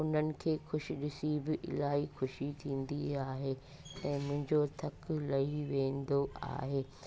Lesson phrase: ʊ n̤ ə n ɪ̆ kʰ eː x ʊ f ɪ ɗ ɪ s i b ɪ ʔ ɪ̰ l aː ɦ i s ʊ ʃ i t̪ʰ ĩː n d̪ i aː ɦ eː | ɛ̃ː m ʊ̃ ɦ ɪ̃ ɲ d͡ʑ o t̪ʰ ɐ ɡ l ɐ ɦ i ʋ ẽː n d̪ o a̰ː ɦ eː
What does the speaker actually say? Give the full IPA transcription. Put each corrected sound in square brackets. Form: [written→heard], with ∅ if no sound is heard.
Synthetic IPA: ʊ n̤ ə n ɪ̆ kʰ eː x ʊ [f→ʃ] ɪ ɗ ɪ s i b ɪ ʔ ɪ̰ l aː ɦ i [s→x] ʊ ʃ i t̪ʰ ĩː n d̪ i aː ɦ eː | ɛ̃ː m ʊ̃ ɦ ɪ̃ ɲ d͡ʑ o t̪ʰ ɐ [ɡ→k] l ɐ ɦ i ʋ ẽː n d̪ o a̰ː ɦ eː